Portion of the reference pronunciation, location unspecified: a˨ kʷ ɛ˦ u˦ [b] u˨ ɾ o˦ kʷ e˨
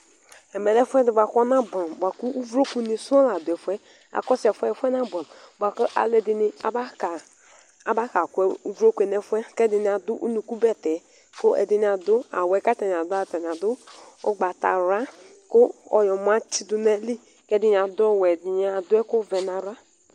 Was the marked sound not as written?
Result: yes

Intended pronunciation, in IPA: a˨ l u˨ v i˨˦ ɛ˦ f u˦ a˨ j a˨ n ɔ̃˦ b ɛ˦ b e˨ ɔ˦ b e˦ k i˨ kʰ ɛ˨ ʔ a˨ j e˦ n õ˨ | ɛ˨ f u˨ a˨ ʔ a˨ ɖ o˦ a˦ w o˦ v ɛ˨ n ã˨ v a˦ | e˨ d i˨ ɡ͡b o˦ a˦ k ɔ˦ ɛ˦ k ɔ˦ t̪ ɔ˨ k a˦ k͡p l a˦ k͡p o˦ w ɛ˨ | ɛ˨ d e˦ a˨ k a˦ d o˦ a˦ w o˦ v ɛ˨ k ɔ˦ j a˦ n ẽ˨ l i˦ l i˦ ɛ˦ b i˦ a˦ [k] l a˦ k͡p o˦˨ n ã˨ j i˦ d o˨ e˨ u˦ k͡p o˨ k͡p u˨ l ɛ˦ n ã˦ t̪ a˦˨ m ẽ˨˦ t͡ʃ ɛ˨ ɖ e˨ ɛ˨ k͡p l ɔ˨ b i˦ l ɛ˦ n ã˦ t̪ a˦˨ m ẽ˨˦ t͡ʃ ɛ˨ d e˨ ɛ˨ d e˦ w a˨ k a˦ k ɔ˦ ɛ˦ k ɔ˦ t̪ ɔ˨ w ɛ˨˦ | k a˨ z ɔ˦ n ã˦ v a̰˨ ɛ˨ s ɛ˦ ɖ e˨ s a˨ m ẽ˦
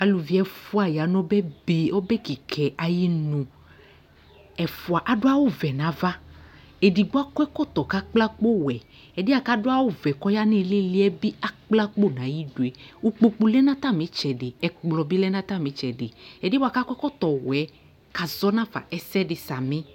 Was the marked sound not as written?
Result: yes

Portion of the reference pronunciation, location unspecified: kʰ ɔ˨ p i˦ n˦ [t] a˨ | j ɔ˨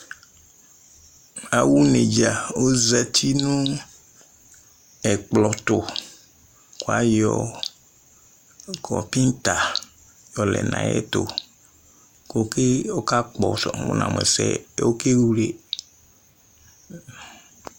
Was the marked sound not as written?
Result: no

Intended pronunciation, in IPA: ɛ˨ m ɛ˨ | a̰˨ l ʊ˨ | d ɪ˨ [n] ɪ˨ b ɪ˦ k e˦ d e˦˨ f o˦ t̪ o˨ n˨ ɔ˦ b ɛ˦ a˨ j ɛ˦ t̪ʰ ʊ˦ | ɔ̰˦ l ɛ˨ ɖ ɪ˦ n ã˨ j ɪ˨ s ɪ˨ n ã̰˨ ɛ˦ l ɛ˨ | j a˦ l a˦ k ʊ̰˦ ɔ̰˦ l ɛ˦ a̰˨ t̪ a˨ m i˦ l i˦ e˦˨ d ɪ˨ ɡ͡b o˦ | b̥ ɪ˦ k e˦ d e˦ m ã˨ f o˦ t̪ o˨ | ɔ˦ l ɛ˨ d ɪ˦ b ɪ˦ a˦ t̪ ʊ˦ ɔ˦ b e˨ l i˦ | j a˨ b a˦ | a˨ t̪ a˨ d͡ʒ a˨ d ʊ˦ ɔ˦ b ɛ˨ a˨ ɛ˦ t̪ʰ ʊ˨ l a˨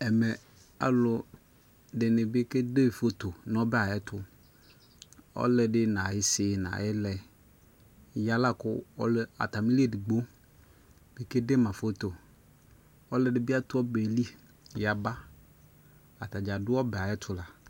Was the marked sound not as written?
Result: no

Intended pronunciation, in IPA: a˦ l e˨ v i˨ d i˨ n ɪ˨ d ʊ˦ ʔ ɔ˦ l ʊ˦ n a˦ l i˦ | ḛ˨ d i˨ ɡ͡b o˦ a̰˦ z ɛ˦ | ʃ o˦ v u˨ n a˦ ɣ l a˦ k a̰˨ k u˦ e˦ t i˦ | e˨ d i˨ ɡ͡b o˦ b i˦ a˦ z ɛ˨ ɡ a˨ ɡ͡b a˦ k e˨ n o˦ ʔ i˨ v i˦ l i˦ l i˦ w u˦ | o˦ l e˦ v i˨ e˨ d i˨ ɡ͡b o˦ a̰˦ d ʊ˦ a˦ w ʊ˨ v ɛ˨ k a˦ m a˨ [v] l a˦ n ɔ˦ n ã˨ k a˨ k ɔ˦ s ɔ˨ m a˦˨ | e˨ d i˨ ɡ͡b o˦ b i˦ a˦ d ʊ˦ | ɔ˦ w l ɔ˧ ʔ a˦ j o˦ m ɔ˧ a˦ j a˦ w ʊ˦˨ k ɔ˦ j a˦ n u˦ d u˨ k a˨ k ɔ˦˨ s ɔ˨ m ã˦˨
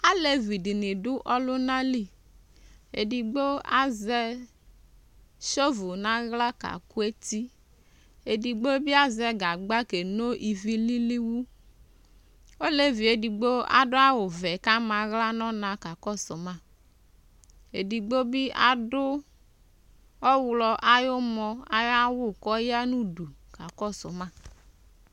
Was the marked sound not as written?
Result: yes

